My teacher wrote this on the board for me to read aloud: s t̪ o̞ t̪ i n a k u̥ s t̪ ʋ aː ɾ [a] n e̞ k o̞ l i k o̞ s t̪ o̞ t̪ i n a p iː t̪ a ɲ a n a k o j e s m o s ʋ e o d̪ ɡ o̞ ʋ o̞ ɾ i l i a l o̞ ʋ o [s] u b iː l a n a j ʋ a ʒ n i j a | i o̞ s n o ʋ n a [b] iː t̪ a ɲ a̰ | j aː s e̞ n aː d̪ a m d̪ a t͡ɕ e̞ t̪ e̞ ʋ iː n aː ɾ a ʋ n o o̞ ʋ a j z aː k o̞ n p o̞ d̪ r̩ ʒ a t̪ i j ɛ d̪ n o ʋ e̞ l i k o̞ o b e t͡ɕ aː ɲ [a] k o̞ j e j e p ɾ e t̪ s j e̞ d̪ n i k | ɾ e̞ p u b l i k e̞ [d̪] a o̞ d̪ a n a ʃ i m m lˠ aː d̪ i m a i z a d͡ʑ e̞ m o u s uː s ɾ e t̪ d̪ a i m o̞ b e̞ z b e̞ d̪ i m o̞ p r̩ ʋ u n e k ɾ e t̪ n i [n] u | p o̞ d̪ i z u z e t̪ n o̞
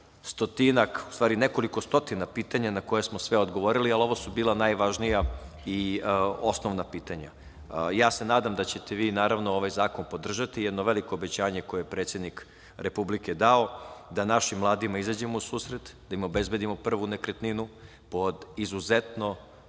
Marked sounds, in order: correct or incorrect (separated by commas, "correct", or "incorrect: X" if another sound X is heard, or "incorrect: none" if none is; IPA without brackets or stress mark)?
incorrect: i, correct, incorrect: p, incorrect: e, correct, correct